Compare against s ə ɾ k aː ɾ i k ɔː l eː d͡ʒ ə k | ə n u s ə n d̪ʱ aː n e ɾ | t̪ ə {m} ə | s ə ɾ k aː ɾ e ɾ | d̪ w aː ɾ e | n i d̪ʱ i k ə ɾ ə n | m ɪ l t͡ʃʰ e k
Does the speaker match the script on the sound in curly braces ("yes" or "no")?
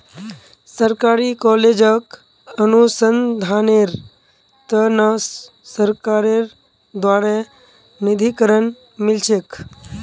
no